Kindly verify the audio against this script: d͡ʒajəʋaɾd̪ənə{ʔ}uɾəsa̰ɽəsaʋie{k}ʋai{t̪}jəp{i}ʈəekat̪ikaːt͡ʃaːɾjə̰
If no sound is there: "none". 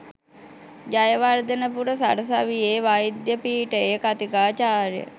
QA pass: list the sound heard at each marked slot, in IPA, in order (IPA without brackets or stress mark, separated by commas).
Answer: p, none, d̪, iː